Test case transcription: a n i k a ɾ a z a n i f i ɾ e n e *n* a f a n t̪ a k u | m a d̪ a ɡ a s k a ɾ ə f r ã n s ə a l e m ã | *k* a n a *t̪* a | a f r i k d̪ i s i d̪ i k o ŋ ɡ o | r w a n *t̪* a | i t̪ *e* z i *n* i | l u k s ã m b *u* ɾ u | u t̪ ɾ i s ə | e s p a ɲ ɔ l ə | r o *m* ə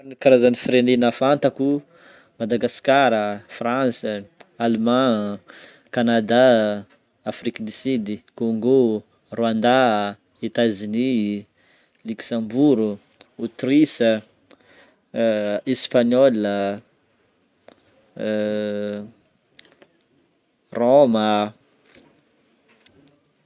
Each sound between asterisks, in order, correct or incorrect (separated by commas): correct, correct, incorrect, incorrect, incorrect, correct, correct, correct